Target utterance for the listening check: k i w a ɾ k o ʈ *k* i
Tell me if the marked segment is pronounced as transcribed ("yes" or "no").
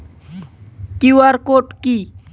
yes